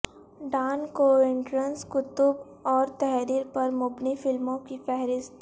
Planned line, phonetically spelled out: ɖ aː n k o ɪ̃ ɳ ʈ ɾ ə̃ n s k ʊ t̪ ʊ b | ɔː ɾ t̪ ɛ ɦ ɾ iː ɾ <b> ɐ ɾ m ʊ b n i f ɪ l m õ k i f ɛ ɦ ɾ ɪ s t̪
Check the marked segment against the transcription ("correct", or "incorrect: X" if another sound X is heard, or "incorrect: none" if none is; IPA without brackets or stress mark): incorrect: p